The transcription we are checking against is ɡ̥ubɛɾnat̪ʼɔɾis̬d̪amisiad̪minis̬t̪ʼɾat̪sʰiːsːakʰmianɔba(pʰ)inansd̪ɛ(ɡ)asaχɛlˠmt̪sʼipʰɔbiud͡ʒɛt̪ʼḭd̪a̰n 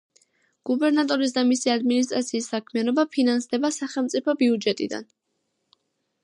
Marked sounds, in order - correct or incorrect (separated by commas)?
correct, incorrect